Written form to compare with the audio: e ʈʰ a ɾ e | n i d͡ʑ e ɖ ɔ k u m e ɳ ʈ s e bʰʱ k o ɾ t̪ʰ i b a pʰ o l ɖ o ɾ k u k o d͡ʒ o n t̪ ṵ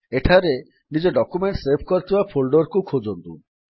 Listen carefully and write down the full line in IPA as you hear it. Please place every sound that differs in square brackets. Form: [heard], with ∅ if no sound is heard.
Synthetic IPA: e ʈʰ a ɾ e | n i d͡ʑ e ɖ ɔ k u m e ɳ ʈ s e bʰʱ k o ɾ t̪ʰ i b a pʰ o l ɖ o ɾ k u [kʰ] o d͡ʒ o n t̪ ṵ

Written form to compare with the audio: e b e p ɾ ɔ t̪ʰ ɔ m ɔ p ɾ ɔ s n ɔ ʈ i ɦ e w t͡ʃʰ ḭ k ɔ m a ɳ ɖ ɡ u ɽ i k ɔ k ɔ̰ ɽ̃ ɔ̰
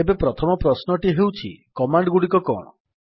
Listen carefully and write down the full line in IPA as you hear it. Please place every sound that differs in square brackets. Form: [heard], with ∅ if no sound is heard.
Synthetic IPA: e b e p ɾ ɔ t̪ʰ ɔ m ɔ p ɾ ɔ s n ɔ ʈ i ɦ e w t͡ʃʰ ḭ k ɔ m a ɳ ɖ ɡ u ɽ i k ɔ k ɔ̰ ɽ̃ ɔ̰

